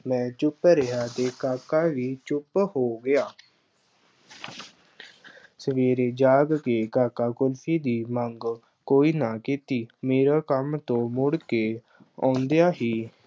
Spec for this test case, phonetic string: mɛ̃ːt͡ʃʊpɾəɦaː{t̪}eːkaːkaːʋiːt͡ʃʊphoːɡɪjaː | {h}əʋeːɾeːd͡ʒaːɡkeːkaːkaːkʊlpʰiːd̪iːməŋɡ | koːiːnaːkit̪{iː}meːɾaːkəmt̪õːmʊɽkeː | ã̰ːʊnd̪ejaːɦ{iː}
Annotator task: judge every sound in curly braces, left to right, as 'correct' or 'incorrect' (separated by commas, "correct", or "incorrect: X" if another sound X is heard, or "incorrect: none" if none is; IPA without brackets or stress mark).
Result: correct, incorrect: s, correct, correct